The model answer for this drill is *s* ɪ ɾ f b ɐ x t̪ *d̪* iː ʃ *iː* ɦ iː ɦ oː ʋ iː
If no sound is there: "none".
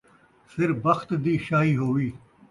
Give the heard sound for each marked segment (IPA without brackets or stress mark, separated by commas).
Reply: s, d̪, aː